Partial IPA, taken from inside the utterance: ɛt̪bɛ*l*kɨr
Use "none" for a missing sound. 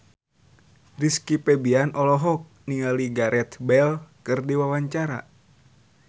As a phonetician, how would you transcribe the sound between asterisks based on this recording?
l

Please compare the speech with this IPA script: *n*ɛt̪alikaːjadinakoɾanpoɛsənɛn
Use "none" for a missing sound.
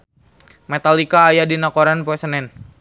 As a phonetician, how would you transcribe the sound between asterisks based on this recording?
m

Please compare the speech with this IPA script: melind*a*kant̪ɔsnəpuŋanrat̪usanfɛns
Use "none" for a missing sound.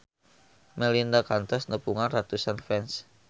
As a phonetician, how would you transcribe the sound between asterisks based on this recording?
a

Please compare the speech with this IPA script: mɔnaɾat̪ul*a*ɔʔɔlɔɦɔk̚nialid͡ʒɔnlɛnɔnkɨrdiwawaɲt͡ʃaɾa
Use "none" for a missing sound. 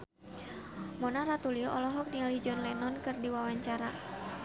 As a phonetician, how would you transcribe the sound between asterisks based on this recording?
i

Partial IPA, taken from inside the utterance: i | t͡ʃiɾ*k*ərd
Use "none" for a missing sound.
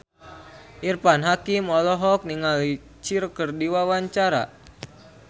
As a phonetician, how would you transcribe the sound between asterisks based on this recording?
k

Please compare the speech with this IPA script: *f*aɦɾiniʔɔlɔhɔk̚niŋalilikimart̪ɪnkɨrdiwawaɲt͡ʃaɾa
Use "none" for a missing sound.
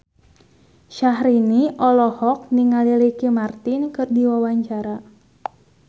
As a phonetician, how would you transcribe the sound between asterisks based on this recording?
ʃ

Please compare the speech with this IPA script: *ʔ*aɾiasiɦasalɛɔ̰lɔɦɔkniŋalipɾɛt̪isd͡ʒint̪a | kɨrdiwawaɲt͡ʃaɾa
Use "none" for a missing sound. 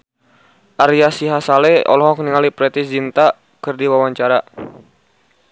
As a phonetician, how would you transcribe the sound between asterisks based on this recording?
ʔ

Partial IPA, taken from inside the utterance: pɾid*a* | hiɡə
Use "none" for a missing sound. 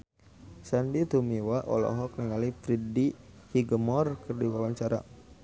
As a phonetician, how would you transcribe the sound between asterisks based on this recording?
i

